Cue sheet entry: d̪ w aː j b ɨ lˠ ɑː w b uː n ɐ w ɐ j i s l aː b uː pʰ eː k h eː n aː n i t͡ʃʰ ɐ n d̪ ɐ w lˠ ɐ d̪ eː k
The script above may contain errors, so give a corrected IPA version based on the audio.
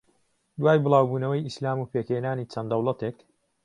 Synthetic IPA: d̪ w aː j b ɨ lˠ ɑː w b uː n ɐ w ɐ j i s l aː m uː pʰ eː k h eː n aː n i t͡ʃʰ ɐ n d̪ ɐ w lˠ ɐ t̪ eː k